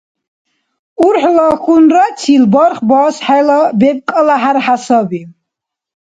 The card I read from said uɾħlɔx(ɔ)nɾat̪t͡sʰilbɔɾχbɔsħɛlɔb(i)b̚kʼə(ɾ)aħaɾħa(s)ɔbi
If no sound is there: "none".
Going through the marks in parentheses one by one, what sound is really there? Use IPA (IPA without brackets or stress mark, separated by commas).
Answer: u, ɛ, l, s